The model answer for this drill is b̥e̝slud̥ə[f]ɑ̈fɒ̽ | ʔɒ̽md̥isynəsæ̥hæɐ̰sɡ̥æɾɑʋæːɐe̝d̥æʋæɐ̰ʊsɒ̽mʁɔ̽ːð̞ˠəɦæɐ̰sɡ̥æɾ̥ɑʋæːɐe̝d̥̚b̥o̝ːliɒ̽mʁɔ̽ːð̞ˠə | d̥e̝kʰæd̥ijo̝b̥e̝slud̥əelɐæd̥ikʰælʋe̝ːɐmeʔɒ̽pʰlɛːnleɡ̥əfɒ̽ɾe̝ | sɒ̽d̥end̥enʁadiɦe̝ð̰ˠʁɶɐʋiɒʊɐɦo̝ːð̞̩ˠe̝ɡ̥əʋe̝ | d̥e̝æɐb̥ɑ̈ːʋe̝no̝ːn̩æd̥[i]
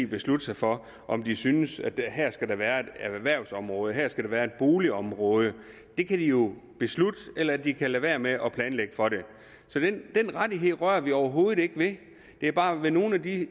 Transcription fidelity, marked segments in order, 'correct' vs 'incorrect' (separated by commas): incorrect, correct